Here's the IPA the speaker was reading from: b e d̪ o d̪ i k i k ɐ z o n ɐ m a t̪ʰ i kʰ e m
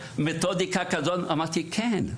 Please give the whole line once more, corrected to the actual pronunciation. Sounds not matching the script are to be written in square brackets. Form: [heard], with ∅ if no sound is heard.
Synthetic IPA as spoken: [m] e [t̪] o d̪ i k [a] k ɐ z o n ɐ m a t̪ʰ i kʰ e [n]